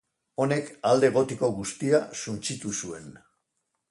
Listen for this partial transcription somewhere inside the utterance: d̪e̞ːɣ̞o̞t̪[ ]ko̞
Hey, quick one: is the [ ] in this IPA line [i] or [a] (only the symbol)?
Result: i